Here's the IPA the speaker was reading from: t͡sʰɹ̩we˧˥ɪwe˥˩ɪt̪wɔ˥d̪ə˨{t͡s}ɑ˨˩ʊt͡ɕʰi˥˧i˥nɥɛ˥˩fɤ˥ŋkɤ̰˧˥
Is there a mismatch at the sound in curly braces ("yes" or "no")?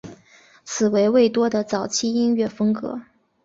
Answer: no